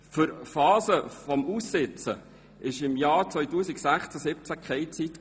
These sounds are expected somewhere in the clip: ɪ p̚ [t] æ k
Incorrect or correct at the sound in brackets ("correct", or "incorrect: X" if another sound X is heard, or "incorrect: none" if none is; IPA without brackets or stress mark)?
incorrect: t͡s